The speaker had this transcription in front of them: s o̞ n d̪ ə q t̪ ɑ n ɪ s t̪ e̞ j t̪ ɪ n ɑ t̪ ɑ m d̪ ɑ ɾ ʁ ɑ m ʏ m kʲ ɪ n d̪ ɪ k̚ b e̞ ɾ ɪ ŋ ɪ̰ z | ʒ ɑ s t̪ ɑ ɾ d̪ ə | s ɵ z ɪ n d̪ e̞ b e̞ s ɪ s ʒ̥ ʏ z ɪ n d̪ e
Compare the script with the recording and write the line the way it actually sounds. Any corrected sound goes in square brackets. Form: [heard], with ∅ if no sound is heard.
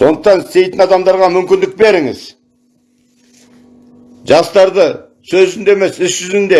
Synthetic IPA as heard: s o̞ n d̪ ə q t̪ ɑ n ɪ s t̪ e̞ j t̪ ɪ n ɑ [d̪] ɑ m d̪ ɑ ɾ ʁ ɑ m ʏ m kʲ ɪ n d̪ ɪ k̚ b e̞ ɾ ɪ ŋ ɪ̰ z | ʒ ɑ s t̪ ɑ ɾ d̪ ə | s ɵ z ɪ n d̪ e̞ [m] e̞ s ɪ s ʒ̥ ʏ z ɪ n d̪ e

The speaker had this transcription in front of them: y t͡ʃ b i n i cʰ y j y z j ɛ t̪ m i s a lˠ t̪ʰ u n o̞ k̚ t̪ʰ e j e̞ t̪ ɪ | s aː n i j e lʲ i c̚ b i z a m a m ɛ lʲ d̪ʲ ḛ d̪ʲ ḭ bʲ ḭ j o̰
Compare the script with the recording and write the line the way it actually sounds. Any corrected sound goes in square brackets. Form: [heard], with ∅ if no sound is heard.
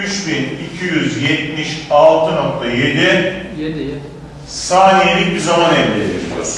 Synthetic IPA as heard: y t͡ʃ b i n i cʰ [i] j y z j ɛ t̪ m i [ʃ] a lˠ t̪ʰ [ɯ] n o̞ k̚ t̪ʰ [a] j e̞ [d̪] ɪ | s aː n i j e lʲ i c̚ b i z a m a [n] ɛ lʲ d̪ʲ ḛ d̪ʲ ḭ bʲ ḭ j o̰

